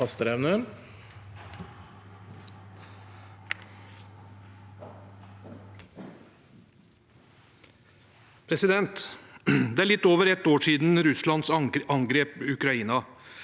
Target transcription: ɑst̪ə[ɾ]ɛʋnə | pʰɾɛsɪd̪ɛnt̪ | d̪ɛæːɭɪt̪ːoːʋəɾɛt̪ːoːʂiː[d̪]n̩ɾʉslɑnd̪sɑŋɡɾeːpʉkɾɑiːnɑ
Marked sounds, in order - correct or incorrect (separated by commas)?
correct, correct